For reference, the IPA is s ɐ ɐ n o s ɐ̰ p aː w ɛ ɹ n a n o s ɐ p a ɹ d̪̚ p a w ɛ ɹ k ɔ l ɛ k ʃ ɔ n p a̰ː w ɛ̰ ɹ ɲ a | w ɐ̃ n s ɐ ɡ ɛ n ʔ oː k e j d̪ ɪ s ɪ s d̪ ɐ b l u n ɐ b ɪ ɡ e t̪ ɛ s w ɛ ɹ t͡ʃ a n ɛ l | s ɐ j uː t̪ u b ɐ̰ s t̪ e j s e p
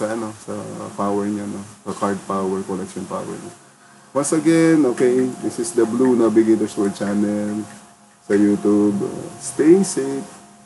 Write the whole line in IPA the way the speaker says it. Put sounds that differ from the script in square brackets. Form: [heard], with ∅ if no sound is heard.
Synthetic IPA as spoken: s ɐ ɐ n o s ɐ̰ p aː w ɛ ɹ [ɲ] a n o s ɐ [k] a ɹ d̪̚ p a w ɛ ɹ k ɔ l ɛ k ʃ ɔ n p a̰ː w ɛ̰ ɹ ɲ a | w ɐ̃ n s ɐ ɡ ɛ n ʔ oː k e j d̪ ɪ s ɪ s d̪ ɐ b l u n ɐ b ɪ ɡ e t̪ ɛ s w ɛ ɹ t͡ʃ a n ɛ l | s ɐ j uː t̪ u b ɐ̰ s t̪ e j s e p